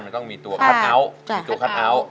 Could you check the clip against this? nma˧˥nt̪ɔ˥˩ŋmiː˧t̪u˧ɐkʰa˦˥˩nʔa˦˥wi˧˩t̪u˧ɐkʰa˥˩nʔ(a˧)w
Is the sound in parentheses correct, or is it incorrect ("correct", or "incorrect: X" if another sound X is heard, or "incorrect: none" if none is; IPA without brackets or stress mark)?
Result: incorrect: a˦˥